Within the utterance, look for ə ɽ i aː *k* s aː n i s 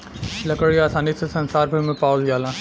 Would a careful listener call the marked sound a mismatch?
yes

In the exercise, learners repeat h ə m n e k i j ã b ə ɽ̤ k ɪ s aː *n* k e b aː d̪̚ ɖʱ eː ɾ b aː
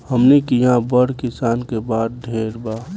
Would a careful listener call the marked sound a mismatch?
no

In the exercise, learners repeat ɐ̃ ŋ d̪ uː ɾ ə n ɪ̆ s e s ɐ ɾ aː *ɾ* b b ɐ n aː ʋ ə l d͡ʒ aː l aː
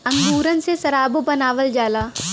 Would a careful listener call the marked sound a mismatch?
yes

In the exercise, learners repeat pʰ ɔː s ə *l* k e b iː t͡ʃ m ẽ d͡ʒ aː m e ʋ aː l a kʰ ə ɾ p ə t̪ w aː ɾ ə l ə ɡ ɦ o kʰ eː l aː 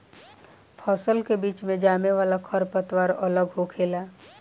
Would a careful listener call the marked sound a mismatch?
no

